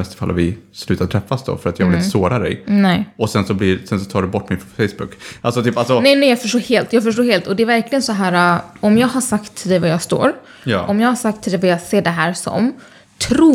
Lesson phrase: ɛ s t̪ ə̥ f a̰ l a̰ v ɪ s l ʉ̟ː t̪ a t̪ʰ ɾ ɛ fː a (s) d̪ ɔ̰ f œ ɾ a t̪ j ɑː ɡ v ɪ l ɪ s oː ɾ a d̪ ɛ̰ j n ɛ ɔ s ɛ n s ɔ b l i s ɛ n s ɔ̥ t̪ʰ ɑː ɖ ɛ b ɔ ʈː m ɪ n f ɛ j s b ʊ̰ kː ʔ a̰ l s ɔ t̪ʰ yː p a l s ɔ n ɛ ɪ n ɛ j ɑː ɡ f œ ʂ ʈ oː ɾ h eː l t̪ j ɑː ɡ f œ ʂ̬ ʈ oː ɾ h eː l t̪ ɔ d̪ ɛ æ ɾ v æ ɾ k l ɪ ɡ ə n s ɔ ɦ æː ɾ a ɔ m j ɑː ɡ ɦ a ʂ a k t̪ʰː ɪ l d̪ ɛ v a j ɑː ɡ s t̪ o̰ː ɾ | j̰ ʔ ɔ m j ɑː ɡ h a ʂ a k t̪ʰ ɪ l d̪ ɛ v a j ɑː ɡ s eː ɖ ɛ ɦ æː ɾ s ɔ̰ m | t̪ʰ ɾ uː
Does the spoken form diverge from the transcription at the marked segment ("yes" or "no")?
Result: no